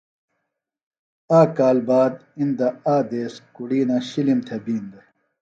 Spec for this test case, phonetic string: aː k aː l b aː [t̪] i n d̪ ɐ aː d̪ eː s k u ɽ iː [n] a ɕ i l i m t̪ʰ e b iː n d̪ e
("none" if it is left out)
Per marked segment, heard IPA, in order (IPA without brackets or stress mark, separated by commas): d̪, n